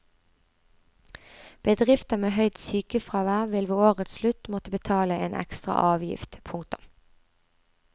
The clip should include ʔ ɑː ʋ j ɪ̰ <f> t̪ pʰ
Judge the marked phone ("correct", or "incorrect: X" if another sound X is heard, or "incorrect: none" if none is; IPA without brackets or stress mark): correct